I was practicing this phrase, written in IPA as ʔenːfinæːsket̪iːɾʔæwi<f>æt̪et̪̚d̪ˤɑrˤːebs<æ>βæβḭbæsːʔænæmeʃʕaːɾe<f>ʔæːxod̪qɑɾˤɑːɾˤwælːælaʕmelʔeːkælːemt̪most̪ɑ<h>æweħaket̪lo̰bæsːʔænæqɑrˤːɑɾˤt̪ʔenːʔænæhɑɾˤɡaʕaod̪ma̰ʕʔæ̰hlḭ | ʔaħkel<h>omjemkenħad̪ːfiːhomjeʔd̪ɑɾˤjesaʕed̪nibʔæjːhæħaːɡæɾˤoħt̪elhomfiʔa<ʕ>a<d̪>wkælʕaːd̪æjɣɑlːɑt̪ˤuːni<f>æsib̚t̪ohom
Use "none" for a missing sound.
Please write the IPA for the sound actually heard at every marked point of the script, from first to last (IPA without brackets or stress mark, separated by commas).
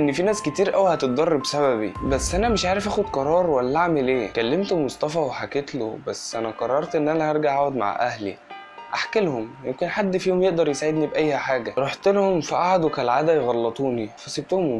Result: h, æ, f, f, h, ʕ, d̪, f